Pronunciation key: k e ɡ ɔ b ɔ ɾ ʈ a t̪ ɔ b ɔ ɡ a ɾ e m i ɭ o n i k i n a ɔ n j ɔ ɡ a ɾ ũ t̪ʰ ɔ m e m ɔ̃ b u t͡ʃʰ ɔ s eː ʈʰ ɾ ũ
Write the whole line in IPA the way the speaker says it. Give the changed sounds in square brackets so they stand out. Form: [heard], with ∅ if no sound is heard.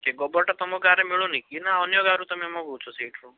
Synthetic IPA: k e ɡ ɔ b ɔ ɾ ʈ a t̪ ɔ [m] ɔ ɡ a ɾ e m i ɭ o n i k i n a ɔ n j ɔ ɡ a ɾ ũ [t̪] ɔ m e m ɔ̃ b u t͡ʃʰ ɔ s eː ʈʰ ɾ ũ